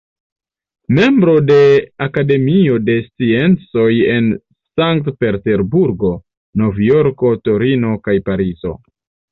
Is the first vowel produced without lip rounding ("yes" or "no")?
yes